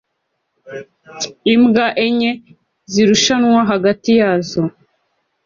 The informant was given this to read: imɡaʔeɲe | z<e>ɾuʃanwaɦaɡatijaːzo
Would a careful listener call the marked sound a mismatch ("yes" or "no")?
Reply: yes